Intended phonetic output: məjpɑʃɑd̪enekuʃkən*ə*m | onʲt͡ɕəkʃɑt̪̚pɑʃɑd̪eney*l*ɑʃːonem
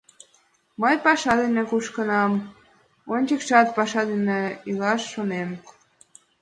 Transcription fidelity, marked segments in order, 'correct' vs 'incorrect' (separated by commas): incorrect, correct